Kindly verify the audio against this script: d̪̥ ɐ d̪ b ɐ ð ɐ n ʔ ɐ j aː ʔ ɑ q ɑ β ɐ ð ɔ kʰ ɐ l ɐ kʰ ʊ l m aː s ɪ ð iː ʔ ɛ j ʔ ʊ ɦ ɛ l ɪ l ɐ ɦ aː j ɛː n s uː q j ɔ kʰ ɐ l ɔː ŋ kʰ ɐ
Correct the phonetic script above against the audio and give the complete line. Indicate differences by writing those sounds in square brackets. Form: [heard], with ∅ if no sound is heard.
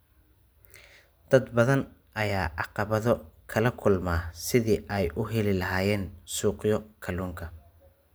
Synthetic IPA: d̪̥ ɐ d̪ b ɐ ð ɐ n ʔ ɐ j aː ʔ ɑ q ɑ β ɐ ð ɔ kʰ ɐ l ɐ kʰ ʊ l m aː s ɪ ð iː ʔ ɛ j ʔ ʊ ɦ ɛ l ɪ l ɐ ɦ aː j ɛː n s uː q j ɔ kʰ ɐ l [uː] ŋ kʰ ɐ